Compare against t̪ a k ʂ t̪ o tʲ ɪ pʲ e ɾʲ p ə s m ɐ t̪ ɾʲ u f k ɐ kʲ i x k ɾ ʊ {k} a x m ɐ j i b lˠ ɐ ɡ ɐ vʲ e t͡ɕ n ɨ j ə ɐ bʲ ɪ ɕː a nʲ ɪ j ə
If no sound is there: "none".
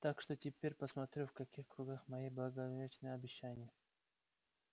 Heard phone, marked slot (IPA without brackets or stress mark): ɡ